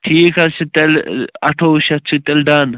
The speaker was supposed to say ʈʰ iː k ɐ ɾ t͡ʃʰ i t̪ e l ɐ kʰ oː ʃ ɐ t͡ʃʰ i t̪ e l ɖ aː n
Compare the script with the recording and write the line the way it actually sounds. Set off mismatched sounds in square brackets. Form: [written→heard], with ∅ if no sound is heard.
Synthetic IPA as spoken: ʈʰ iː k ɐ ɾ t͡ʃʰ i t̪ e l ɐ [kʰ→ʈʰ] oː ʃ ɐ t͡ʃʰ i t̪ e l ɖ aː n

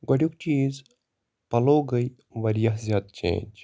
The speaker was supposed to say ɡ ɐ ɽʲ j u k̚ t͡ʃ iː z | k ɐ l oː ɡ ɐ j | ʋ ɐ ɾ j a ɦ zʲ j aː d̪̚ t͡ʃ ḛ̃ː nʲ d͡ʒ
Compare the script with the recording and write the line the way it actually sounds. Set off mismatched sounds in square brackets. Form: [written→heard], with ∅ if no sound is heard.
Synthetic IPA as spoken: ɡ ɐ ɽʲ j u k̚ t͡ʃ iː z | [k→p] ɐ l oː ɡ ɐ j | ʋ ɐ ɾ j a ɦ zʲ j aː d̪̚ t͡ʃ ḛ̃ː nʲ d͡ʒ

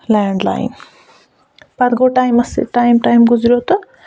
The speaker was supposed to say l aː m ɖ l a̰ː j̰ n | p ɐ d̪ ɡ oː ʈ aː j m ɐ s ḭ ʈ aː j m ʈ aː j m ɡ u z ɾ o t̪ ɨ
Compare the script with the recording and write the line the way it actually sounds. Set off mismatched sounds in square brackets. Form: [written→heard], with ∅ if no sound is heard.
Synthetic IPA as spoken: l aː [m→ɳ] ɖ l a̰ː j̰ n | p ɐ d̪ ɡ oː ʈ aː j m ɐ s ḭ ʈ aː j m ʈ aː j m ɡ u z ɾ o t̪ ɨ

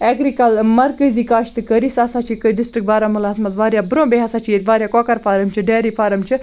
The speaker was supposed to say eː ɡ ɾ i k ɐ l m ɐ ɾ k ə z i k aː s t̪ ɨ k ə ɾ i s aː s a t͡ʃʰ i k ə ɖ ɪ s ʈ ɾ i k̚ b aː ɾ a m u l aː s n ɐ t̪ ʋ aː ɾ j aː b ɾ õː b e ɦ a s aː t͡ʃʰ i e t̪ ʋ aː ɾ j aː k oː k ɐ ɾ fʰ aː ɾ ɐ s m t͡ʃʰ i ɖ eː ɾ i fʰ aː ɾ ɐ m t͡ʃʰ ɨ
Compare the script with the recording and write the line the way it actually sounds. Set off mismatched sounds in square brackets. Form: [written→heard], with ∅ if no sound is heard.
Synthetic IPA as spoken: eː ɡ ɾ i k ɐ l m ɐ ɾ k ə z i k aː [s→ʃ] t̪ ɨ k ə ɾ i s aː s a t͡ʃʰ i k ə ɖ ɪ s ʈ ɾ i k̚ b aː ɾ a m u l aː s [n→m] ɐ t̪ ʋ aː ɾ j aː b ɾ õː b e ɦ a s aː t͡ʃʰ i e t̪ ʋ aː ɾ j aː k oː k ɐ ɾ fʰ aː ɾ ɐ [s→∅] m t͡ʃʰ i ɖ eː ɾ i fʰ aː ɾ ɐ m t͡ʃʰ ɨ

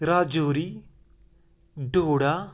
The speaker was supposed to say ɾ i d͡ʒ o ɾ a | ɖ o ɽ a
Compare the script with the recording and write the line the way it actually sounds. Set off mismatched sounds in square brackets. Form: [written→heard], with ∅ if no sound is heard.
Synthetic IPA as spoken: ɾ [i→a] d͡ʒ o ɾ [a→i] | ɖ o ɽ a

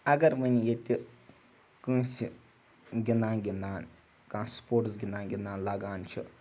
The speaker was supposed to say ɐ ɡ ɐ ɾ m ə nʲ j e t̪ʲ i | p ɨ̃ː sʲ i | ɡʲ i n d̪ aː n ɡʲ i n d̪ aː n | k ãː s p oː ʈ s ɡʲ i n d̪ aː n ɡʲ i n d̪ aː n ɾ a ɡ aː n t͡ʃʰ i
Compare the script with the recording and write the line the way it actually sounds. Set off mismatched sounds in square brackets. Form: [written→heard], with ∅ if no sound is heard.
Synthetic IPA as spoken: ɐ ɡ ɐ ɾ m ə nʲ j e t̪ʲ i | [p→k] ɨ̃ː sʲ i | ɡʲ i n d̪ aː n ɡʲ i n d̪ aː n | k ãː s p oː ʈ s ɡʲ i n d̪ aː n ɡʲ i n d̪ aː n [ɾ→l] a ɡ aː n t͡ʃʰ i

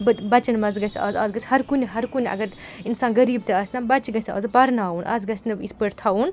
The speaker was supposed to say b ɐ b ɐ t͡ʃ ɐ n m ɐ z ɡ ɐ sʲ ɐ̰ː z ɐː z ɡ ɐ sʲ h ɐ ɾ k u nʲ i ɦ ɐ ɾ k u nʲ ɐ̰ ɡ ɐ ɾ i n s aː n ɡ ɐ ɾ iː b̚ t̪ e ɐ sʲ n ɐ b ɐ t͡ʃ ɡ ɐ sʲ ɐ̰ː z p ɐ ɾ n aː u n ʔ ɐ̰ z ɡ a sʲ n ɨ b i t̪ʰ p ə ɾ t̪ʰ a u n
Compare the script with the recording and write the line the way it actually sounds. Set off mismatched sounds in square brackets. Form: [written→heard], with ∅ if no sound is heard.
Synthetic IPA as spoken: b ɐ b ɐ t͡ʃ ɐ n m ɐ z ɡ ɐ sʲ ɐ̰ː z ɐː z ɡ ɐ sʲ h ɐ ɾ k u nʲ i ɦ ɐ ɾ k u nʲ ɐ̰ ɡ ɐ ɾ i n s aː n ɡ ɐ ɾ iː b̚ t̪ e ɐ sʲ n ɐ b ɐ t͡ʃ ɡ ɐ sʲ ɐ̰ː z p ɐ ɾ n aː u n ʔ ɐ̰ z ɡ [a→ɐ] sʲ n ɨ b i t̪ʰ p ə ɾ t̪ʰ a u n

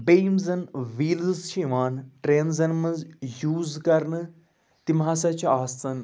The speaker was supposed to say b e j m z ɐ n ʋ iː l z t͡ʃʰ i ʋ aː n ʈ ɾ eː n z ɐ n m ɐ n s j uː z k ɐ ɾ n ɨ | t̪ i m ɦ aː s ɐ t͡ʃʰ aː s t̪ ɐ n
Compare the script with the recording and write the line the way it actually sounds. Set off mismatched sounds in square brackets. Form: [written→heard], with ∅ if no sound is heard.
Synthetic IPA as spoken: b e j m z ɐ n ʋ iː l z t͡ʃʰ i ʋ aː n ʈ ɾ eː n z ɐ n m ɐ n [s→z] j uː z k ɐ ɾ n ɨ | t̪ i m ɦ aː s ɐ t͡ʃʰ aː s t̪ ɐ n

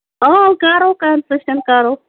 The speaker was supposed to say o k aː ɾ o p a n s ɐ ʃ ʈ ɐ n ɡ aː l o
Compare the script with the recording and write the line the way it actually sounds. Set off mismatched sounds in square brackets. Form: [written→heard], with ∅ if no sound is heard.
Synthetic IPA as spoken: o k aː ɾ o [p→k] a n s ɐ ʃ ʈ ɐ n [ɡ→k] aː [l→ɾ] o

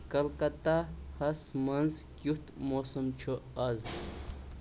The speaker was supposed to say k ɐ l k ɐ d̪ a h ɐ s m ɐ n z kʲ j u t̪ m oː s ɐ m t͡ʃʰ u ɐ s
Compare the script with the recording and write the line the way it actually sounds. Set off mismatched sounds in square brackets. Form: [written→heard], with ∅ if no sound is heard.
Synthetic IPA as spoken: k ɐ l k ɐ [d̪→t̪] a h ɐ s m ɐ n z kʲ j u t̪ m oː s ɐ m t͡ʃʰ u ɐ [s→z]

